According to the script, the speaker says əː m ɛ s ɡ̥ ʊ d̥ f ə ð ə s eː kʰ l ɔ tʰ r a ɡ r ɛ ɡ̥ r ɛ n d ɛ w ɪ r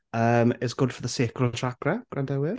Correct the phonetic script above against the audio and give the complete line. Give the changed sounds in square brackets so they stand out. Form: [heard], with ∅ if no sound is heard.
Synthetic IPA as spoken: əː m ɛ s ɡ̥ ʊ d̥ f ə ð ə s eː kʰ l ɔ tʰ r a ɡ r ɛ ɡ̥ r [a] n d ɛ w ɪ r

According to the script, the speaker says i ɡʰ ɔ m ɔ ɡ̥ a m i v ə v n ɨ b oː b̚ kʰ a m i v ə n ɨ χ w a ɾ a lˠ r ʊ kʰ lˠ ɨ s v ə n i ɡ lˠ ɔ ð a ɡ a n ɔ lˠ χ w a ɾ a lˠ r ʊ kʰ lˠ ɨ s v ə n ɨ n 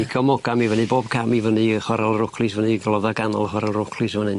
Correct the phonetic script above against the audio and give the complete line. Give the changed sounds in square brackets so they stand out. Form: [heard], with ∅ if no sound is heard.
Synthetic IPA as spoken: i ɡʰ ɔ m ɔ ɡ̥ a m i v ə [∅] n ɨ b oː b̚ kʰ a m i v ə n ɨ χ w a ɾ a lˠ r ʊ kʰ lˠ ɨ s v ə n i ɡ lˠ ɔ ð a ɡ a n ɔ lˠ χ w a ɾ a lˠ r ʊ kʰ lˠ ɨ s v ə n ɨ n

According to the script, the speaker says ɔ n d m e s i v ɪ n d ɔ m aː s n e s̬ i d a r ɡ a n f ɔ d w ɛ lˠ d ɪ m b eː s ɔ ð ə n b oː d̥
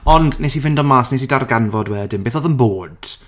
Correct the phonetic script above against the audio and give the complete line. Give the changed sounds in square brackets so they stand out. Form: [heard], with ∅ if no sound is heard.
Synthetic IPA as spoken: ɔ n d [n] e s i v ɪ n d ɔ m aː s n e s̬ i d a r ɡ a n [v] ɔ d w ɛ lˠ d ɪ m b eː [θ] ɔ ð ə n b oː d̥

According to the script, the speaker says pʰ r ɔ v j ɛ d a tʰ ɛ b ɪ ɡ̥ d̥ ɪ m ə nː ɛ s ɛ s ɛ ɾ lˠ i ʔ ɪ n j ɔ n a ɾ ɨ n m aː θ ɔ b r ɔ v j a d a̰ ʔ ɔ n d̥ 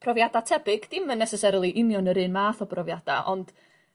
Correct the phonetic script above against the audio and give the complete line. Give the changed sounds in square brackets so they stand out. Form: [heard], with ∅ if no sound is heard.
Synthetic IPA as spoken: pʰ r ɔ v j [a] d a tʰ ɛ b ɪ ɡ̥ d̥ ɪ m ə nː ɛ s ɛ s ɛ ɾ lˠ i ʔ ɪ n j ɔ n [ə] ɾ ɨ n m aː θ ɔ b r ɔ v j a d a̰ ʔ ɔ n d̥

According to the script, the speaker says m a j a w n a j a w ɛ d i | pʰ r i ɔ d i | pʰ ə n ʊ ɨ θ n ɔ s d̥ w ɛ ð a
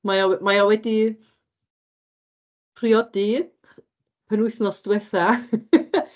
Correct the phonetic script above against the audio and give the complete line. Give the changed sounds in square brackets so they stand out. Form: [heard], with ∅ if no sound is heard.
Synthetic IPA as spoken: m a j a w [m] a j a w ɛ d i | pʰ r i ɔ d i | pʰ ə n ʊ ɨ θ n ɔ s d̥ w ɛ [θ] a

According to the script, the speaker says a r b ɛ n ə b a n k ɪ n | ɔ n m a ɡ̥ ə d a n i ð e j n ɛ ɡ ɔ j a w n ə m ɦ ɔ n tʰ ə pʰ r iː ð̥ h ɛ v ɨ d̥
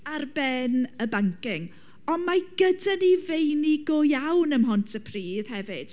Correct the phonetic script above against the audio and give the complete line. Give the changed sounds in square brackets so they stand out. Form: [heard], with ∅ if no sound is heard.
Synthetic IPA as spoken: a r b ɛ n ə b a [ŋ] k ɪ [ŋ] | ɔ n m a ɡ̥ ə d a n i [v] e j n [i] ɡ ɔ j a w n ə m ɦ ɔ n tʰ ə pʰ r iː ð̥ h ɛ v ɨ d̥

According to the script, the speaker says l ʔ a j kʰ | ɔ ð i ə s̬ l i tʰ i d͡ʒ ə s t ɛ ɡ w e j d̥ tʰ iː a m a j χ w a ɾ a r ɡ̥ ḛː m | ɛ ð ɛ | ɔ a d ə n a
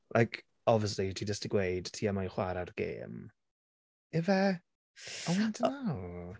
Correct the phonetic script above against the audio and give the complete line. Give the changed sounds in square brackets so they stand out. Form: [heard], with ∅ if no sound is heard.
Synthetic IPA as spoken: l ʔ a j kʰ | ɔ [v] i ə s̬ l i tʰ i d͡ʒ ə s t [i] ɡ w e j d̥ tʰ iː a m a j χ w a ɾ a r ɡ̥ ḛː m | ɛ [v] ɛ | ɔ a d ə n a

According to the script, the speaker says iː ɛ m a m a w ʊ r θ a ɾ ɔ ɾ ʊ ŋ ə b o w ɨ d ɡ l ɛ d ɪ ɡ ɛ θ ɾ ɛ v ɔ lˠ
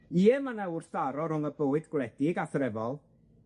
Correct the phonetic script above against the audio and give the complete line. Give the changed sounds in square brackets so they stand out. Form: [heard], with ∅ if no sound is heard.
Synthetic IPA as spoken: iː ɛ m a [n] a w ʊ r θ a ɾ ɔ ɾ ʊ ŋ ə b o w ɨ d ɡ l ɛ d ɪ ɡ [a] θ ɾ ɛ v ɔ lˠ

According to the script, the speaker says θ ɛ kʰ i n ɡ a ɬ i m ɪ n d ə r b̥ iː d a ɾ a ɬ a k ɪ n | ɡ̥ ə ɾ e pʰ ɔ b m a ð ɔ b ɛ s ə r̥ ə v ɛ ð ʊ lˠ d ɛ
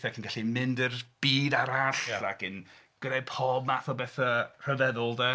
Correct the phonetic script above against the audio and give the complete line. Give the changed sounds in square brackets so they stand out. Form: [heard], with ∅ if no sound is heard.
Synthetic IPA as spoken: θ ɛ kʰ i n ɡ a ɬ i m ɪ n d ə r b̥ iː d a ɾ a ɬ a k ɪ n | ɡ̥ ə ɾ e pʰ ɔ b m a [θ] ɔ b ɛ [θ] ə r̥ ə v ɛ ð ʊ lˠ d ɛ

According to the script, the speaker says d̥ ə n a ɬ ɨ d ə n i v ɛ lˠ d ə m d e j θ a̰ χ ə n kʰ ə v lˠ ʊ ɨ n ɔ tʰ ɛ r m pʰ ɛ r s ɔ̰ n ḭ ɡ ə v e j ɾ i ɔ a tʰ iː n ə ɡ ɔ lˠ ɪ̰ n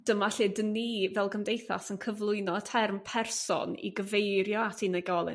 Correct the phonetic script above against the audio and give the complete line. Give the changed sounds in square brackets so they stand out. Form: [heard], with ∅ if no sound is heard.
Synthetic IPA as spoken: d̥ ə [m] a ɬ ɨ d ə n i v ɛ lˠ [ɡ] ə m d e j θ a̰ [s] ə n kʰ ə v lˠ ʊ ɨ n ɔ tʰ ɛ r m pʰ ɛ r s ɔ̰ n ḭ ɡ ə v e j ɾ [j] ɔ a tʰ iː n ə ɡ ɔ lˠ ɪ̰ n

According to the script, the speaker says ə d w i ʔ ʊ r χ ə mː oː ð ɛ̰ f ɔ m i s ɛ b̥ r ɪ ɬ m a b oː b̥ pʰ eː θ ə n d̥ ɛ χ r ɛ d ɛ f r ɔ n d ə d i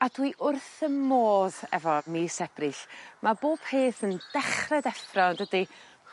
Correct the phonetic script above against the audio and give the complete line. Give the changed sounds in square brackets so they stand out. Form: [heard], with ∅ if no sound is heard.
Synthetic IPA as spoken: [a] d w i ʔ ʊ r [θ] ə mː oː ð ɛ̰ [v] ɔ m i s ɛ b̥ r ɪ ɬ m a b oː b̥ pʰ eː θ ə n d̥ ɛ χ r ɛ d ɛ f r ɔ n d ə d i

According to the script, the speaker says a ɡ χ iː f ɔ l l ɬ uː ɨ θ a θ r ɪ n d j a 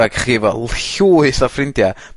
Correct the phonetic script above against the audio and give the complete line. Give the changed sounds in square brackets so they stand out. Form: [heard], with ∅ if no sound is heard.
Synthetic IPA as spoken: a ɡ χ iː [v] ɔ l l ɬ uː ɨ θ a [f] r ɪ n d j a

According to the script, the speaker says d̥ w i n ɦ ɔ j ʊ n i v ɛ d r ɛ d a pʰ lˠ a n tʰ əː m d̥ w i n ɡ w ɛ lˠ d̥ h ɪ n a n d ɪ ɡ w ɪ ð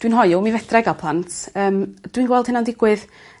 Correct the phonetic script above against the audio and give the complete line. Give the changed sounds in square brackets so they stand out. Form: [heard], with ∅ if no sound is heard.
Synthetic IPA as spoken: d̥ w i n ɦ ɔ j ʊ [m] i v ɛ d r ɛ [ɡ] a pʰ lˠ a n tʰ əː m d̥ w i n ɡ w ɛ lˠ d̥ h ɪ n a n d ɪ ɡ w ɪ ð

